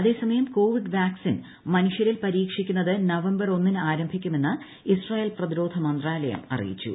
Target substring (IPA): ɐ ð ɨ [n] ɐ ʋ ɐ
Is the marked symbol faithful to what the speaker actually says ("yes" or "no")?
yes